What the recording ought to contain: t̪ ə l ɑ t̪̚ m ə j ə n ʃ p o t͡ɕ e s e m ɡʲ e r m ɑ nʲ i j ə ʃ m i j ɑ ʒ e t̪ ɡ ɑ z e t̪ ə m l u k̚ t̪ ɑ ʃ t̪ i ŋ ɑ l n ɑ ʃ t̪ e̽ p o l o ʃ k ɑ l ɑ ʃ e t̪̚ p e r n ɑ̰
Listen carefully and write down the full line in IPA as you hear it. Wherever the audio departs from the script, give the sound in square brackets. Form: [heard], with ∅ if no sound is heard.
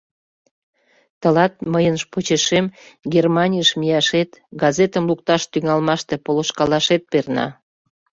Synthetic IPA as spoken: t̪ ə l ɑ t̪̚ m ə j ə n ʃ p o t͡ɕ e [ʃ] e m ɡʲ e r m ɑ nʲ i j ə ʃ m i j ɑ [ʃ] e t̪ ɡ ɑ z e t̪ ə m l u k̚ t̪ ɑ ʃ t̪ [y] ŋ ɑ l [m] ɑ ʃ t̪ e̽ p o l o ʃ k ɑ l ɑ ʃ e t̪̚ p e r n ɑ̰